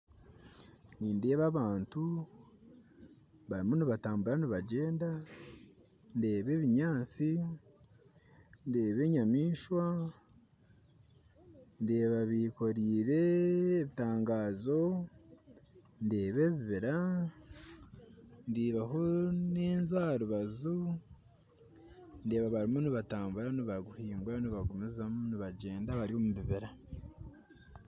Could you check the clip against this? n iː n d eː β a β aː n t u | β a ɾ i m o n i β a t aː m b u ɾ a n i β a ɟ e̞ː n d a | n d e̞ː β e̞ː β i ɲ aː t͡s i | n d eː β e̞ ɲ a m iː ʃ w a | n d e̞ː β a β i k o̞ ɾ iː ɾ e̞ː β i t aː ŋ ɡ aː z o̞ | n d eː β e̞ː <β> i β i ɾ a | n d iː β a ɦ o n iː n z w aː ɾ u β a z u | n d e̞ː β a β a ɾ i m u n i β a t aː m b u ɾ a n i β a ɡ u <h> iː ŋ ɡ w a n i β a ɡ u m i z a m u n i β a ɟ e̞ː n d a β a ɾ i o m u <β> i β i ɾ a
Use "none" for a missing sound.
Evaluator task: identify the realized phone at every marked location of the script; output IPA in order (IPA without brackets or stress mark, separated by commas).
β, h, β